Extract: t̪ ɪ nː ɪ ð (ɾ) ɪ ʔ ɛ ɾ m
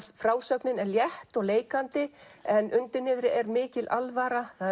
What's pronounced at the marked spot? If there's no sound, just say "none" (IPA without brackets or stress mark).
ɾ